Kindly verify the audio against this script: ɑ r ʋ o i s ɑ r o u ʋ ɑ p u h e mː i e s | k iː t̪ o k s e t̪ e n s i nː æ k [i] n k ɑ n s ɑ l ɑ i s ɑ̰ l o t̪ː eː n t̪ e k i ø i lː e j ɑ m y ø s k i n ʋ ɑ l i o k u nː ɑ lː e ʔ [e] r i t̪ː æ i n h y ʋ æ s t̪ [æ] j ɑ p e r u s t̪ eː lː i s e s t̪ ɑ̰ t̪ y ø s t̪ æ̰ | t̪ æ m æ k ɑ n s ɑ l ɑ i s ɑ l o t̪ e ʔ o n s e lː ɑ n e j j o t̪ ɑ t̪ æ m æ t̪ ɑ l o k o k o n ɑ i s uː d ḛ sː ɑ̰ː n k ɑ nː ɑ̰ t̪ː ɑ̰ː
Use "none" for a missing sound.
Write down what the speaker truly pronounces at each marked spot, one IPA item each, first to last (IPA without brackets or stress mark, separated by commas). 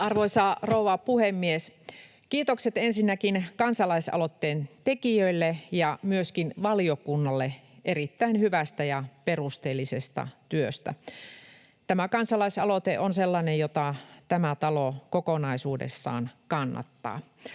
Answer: i, e, æ